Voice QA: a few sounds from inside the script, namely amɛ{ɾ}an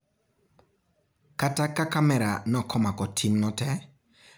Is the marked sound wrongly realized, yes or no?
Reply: no